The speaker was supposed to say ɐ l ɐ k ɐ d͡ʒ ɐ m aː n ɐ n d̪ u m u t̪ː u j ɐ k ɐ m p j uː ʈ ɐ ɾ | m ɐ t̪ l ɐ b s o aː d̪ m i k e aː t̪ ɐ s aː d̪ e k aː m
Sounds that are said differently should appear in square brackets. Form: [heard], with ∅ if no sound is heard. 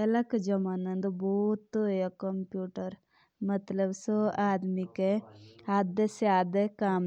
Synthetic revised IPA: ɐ l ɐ k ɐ d͡ʒ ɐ m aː n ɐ n d̪ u [b] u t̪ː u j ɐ k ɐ m p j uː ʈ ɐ ɾ | m ɐ t̪ l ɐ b s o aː d̪ m i k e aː [d̪] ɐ s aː d̪ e k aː m